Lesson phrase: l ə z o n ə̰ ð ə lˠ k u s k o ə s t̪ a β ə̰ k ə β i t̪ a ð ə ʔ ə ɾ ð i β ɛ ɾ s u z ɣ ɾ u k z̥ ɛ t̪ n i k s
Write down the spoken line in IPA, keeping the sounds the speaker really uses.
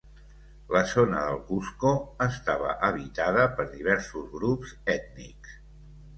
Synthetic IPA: l ə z o n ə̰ ð ə lˠ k u s k o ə s t̪ a β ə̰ ʔ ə β i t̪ a ð ə p ə ɾ ð i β ɛ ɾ s u z ɣ ɾ u p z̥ ɛ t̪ n i k s